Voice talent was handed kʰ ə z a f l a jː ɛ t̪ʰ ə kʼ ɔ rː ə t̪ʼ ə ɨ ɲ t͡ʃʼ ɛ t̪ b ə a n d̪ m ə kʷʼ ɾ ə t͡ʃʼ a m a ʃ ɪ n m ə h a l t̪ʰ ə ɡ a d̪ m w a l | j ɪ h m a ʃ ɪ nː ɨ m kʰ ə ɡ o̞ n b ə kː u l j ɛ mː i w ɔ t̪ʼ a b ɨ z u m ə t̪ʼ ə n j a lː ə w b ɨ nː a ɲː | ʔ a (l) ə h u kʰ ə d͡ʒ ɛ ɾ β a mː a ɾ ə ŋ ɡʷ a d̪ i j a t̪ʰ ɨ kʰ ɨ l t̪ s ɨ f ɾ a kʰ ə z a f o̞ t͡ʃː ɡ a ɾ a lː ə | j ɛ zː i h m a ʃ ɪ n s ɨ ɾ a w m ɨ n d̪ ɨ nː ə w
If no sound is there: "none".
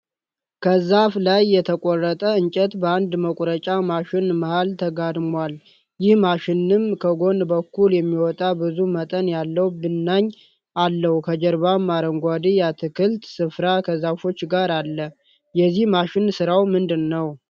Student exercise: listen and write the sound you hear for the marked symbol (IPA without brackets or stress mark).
lː